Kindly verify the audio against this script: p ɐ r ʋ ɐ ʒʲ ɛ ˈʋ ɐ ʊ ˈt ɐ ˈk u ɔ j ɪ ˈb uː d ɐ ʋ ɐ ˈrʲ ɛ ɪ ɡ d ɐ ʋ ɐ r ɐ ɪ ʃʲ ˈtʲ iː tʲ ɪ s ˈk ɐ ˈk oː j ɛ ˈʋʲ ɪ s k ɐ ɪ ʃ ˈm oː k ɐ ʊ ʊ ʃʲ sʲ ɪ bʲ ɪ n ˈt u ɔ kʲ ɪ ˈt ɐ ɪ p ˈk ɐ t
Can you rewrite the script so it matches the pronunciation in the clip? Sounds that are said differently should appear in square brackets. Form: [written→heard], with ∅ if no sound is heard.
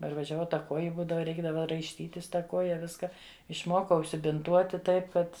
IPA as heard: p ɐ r ʋ ɐ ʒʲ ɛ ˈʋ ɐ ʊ ˈt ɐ ˈk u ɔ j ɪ ˈb uː d ɐ ʋ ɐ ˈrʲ ɛ ɪ ɡ d ɐ ʋ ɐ r ɐ ɪ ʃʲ ˈtʲ iː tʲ ɪ s [ˈk→ˈt] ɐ ˈk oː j ɛ ˈʋʲ ɪ s k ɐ ɪ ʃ ˈm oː k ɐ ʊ ʊ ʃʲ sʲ ɪ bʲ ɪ n ˈt u ɔ [kʲ→tʲ] ɪ ˈt ɐ ɪ p ˈk ɐ t